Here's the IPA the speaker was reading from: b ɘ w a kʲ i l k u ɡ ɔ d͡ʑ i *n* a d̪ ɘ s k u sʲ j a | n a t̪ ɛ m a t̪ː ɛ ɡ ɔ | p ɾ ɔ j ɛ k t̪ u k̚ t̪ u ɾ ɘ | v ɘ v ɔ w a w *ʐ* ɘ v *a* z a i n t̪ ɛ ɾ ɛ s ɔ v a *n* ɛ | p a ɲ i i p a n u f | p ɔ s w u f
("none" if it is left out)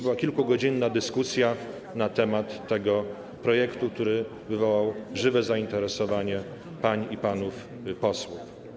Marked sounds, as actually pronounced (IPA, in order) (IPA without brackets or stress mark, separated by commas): nː, ʐ, ɛ, ɲ